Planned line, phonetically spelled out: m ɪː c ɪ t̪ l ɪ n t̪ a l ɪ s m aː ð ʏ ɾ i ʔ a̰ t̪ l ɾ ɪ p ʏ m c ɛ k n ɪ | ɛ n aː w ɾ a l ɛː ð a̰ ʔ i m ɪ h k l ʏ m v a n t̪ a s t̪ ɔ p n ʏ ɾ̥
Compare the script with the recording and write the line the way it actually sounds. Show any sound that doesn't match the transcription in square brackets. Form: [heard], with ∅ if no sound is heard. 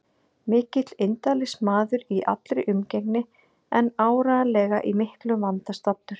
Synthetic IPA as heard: m ɪː c ɪ t̪ l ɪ n t̪ a l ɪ s m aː ð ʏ ɾ i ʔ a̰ t̪ l ɾ ɪ [ʔ] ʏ m c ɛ k n ɪ | ɛ n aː w ɾ a l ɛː [ɣ] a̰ ʔ i m ɪ h k l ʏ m v a n t̪ a s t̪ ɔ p n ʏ ɾ̥